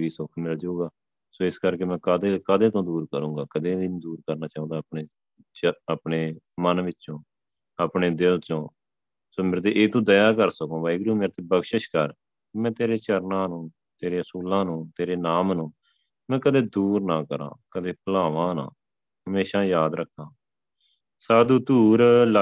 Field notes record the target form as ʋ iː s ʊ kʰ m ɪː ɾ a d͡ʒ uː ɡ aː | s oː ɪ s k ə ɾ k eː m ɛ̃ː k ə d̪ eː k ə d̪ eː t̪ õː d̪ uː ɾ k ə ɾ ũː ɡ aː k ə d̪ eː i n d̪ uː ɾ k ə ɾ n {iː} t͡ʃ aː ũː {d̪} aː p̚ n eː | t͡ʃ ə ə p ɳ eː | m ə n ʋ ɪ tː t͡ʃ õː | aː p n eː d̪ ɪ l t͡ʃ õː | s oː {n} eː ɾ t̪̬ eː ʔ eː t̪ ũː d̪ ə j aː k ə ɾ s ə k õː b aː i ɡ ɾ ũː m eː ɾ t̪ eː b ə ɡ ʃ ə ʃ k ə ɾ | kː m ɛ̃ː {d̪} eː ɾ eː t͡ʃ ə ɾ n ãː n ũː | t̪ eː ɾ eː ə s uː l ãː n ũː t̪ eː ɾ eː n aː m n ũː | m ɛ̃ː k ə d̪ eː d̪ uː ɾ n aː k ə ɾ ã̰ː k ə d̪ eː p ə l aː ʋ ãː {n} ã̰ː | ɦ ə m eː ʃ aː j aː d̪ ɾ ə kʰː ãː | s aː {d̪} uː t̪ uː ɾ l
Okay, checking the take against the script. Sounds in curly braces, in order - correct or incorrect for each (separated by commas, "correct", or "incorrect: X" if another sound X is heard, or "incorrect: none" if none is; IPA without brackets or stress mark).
incorrect: aː, correct, incorrect: m, incorrect: t̪, correct, correct